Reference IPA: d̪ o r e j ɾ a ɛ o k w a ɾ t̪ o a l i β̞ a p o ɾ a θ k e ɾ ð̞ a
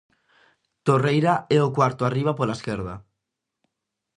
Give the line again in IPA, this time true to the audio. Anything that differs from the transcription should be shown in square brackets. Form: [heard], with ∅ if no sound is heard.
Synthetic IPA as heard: [t̪] o r e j ɾ a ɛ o k w a ɾ t̪ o a [r] i β̞ a p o [l] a [s] k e ɾ ð̞ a